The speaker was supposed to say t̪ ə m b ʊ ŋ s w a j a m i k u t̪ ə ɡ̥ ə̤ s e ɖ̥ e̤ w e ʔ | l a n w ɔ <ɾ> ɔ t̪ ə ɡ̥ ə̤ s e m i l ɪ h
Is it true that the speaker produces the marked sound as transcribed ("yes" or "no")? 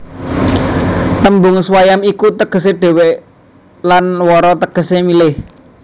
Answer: yes